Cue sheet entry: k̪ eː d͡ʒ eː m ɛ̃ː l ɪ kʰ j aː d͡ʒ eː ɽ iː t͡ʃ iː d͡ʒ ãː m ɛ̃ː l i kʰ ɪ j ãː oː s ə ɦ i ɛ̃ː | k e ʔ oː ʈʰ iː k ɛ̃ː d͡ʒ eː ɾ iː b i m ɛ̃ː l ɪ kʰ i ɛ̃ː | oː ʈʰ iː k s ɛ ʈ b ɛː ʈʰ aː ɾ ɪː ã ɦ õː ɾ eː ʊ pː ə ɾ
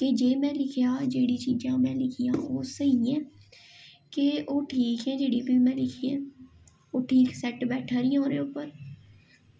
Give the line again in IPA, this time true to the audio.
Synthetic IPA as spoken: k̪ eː d͡ʒ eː m ɛ̃ː l ɪ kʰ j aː d͡ʒ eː ɽ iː t͡ʃ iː d͡ʒ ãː m ɛ̃ː l ɪ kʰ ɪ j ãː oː s ə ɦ i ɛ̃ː | k e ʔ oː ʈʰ iː k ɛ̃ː d͡ʒ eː ɽ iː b i m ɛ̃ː l ɪ kʰ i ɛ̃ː | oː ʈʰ iː k s ɛ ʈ b ɛː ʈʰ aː ɾ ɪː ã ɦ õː ɾ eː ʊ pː ə ɾ